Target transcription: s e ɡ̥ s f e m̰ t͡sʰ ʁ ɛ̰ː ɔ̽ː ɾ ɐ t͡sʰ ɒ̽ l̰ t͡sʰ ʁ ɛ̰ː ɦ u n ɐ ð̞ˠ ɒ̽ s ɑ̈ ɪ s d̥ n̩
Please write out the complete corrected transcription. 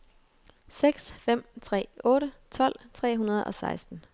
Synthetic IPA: s e ɡ̥ s f e m̰ t͡sʰ ʁ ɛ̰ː ɔ̽ː ɾ ə t͡sʰ ɒ̽ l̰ t͡sʰ ʁ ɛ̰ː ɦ u n ɐ ð̞ˠ ɒ̽ s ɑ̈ ɪ s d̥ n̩